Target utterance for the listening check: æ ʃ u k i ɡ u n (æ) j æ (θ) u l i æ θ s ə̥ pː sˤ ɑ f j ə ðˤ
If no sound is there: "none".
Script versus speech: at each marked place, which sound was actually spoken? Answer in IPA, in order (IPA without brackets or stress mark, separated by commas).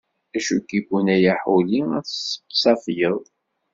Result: æ, ħ